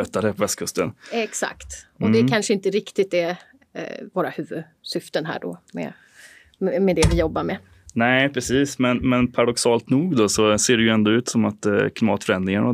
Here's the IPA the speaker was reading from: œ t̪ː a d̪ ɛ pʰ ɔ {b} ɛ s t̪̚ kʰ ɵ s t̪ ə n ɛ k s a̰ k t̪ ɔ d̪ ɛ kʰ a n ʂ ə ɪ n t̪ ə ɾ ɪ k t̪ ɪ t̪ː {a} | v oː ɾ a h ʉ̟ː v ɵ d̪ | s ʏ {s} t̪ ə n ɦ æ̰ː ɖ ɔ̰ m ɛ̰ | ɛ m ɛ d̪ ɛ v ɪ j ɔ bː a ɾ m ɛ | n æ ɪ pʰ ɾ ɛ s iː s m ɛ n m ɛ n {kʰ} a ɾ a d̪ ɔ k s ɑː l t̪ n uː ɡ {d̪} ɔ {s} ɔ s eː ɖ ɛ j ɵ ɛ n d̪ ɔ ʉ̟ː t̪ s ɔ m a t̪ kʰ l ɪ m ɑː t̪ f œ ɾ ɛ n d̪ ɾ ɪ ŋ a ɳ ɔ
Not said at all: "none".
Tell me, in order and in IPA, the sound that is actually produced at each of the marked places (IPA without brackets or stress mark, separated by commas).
v, ɛ, f, pʰ, d̪, s